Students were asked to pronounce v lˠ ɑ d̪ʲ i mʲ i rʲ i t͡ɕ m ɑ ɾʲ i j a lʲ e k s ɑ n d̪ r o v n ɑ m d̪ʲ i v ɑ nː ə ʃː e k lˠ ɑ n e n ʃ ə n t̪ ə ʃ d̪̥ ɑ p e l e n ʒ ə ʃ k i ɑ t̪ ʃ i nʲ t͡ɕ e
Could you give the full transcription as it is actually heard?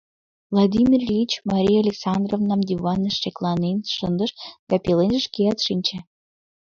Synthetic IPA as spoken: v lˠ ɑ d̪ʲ i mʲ i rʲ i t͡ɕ m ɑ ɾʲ i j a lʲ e k s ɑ n d̪ r o v n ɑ m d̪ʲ i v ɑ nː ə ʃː e k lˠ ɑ n e n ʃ ə n d̪ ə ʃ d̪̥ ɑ p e l e n ʒ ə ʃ k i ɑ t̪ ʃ i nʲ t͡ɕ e